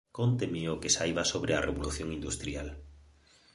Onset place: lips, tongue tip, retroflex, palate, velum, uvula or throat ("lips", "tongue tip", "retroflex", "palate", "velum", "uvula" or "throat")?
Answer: velum